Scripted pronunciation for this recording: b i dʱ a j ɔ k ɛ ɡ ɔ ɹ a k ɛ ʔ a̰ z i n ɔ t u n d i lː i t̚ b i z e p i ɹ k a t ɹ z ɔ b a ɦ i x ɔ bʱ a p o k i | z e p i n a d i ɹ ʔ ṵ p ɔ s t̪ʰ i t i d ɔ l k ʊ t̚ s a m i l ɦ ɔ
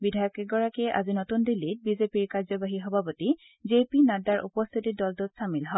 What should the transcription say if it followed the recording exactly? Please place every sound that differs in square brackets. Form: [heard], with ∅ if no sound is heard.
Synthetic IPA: b i dʱ a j ɔ k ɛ ɡ ɔ ɹ a k ɛ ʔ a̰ z i n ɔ t u n d i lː i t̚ b i z e p i ɹ k a [∅] ɹ z ɔ b a ɦ i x ɔ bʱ a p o [t] i | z e p i n a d [a] ɹ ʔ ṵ p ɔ s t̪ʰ i t i d ɔ l [t] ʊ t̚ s a m i l ɦ ɔ